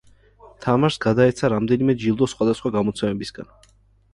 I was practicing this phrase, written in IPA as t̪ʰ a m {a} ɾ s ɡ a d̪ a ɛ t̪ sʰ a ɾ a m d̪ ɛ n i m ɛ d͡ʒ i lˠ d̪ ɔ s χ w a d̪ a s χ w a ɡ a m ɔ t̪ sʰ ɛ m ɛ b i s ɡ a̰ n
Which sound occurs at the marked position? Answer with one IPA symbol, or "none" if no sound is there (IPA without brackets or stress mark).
a